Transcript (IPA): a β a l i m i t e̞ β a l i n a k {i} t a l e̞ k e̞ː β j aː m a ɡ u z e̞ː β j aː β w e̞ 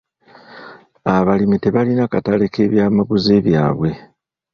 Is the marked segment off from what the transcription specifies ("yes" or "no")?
yes